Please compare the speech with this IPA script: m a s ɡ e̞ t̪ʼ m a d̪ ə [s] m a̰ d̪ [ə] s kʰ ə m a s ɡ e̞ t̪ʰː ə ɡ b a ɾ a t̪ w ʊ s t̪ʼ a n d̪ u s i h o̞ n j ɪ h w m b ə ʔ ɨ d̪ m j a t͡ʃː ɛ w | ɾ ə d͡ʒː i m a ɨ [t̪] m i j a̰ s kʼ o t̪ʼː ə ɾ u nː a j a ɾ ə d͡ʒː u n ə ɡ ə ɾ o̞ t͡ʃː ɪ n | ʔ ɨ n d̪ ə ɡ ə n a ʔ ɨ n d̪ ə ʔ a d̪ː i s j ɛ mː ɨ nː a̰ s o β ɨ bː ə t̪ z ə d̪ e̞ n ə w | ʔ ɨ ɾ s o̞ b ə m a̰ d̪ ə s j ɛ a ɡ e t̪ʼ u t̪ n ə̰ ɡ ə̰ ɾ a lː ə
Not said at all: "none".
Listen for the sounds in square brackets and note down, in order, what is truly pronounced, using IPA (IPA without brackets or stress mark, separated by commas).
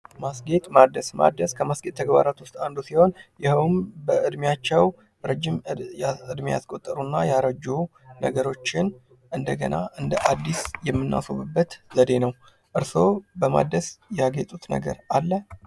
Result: s, ə, d̪